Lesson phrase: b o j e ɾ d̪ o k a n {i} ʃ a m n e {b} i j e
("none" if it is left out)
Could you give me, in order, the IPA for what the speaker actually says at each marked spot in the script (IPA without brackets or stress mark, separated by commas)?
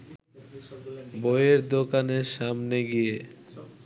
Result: e, ɡ